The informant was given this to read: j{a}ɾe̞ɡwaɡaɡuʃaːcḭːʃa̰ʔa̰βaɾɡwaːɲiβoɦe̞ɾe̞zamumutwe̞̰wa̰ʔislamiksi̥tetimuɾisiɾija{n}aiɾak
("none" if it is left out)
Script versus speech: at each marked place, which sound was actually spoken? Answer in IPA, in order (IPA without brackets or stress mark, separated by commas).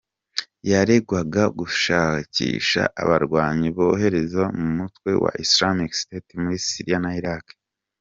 a, n